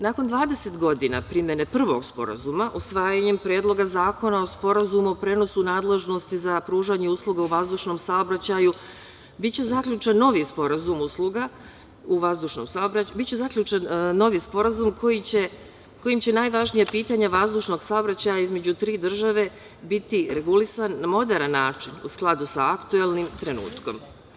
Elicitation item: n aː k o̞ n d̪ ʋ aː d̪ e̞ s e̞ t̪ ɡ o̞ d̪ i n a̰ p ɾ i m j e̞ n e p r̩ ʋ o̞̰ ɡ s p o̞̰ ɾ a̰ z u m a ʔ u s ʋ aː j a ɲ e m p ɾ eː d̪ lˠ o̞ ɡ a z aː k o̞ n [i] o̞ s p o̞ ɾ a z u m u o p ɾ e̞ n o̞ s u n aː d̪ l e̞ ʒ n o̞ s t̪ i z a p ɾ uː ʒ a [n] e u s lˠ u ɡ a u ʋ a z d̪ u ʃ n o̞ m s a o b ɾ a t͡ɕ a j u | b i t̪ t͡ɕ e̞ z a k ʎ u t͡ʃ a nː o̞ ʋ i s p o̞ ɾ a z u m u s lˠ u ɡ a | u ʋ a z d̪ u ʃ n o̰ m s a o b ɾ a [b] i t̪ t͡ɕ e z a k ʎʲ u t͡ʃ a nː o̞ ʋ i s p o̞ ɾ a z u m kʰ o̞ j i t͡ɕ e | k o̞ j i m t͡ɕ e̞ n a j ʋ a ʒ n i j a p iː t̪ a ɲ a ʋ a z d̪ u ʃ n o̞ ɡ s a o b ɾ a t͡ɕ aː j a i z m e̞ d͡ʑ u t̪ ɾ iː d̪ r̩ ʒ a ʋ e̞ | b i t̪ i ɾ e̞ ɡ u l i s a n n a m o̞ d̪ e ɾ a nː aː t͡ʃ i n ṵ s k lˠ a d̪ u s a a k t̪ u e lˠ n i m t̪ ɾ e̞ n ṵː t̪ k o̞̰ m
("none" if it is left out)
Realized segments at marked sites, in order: a, ɲ, b

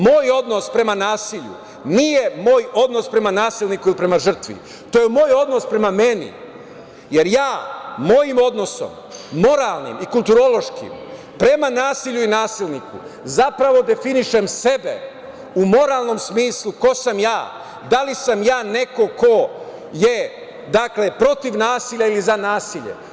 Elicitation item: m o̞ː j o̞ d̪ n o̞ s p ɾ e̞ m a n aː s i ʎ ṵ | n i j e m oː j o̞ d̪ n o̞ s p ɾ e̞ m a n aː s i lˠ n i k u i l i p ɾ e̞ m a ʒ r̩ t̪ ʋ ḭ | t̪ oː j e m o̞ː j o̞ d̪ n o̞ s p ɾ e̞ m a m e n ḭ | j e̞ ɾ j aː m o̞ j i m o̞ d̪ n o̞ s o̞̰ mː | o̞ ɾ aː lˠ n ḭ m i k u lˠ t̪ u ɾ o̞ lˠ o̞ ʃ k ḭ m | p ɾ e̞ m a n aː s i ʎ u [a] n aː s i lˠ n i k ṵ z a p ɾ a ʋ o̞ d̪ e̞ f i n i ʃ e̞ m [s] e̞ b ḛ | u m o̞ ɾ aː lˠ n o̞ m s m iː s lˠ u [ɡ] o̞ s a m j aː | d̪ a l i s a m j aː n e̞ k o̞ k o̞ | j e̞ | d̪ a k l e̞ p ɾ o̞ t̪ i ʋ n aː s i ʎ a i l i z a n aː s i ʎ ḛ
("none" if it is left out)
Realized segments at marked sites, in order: i, s, k

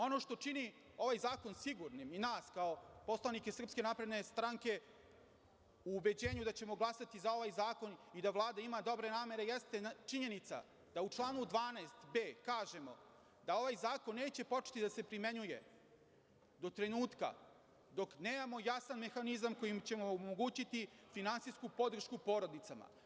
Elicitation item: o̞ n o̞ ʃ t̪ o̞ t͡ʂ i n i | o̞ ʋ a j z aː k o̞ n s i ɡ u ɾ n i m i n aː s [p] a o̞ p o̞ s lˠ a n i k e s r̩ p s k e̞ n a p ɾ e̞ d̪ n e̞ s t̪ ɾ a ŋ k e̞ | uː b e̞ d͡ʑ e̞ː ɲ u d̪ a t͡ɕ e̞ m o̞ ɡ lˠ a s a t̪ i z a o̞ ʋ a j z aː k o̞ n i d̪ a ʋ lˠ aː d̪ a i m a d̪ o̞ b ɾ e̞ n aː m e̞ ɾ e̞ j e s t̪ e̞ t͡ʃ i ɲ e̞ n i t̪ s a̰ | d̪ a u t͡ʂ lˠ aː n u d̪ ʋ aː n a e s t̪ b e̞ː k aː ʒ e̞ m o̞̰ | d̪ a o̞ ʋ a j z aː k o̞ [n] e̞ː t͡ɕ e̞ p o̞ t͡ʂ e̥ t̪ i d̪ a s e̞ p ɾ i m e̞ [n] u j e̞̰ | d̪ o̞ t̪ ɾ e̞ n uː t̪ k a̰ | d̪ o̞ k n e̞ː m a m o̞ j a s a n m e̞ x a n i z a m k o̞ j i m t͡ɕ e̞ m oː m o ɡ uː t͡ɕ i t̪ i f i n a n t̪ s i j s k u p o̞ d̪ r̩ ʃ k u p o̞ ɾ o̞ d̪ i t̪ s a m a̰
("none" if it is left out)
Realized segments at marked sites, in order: k, nː, ɲ

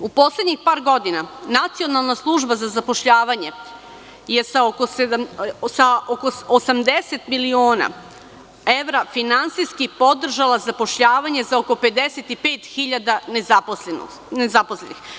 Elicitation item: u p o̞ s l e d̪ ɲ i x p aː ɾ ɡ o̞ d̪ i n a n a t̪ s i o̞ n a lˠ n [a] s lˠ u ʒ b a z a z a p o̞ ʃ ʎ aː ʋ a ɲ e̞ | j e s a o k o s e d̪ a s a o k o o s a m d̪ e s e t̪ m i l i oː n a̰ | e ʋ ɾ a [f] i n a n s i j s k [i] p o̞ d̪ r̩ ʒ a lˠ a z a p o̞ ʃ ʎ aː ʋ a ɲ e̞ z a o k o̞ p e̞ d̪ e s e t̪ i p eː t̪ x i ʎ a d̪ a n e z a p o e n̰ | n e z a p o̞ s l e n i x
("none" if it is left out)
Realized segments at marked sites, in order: a, f, i

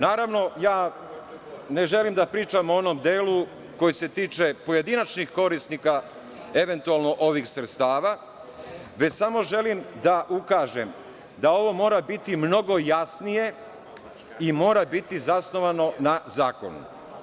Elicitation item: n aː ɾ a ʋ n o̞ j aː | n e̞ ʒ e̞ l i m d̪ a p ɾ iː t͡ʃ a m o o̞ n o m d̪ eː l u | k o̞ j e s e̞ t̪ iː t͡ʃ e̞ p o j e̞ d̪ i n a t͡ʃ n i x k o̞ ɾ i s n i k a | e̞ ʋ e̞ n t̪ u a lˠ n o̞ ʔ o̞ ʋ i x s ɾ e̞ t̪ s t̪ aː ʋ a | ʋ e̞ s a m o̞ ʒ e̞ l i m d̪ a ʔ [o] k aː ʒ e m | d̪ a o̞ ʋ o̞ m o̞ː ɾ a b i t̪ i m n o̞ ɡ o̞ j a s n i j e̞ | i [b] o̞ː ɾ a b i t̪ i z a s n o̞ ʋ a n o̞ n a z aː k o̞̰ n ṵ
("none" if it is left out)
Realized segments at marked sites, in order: u, m

